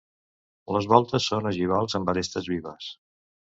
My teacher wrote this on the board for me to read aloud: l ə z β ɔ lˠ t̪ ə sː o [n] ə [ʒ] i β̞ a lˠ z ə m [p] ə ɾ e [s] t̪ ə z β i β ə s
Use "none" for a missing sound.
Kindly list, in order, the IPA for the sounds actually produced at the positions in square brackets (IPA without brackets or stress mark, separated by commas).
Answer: n, ʒ, b, s